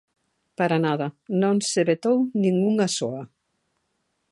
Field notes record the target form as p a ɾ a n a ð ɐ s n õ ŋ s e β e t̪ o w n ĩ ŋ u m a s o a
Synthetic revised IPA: p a ɾ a n a ð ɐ n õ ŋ s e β e t̪ o w n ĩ ŋ u ŋ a s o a